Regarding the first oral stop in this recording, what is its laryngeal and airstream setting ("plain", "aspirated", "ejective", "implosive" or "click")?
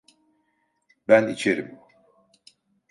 plain